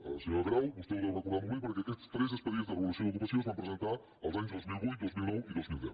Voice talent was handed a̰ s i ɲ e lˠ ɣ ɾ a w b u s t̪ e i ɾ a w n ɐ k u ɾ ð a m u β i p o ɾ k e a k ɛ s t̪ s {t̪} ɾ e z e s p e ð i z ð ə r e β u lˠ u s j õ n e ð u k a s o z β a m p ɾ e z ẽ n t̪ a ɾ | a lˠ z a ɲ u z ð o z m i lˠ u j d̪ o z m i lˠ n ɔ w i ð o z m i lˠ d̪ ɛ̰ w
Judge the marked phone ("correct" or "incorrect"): correct